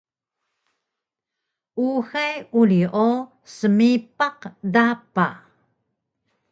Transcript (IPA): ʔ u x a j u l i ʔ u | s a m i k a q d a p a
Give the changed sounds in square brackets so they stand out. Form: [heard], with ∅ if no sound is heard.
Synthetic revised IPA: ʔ u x a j u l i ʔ [o] | s [ə] m i [p] a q d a p a